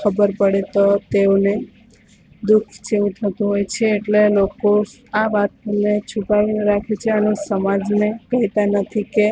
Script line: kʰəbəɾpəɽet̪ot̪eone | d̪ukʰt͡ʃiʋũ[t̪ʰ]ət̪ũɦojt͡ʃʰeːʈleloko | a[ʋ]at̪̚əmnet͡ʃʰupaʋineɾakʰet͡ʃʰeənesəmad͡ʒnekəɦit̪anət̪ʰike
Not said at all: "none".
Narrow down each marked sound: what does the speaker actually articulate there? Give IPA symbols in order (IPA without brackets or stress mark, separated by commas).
t̪ʰ, ʋ